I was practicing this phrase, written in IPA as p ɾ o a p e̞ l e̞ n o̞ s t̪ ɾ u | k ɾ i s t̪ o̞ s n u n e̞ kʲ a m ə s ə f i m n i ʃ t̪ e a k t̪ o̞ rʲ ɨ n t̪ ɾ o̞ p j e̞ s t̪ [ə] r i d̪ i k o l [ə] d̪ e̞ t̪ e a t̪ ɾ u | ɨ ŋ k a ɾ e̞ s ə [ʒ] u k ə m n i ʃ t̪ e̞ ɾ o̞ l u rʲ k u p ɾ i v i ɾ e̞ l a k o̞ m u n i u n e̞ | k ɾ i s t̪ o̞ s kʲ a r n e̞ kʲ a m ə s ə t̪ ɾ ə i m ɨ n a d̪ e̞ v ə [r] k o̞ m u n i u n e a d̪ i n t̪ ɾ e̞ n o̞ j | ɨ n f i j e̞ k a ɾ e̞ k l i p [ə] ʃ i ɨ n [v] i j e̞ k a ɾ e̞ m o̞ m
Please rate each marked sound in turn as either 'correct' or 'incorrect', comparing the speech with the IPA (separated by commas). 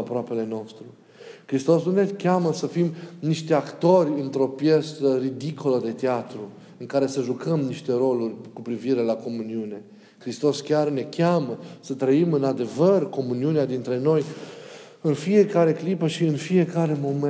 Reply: correct, correct, correct, correct, correct, incorrect